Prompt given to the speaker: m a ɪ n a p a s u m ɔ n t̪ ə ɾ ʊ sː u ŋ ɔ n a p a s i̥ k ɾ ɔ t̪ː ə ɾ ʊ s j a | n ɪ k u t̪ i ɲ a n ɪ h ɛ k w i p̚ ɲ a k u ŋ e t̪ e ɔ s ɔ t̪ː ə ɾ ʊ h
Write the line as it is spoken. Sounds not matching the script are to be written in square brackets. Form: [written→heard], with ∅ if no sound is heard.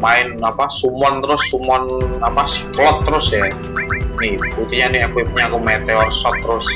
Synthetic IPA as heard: m a ɪ n a p a s u m ɔ n t̪ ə ɾ ʊ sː u [ŋ→m] ɔ n a p a s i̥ k [ɾ→l] ɔ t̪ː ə ɾ ʊ s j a | n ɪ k u t̪ i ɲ a n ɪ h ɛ k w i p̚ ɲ a k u [ŋ→m] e t̪ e ɔ s ɔ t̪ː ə ɾ ʊ [h→s]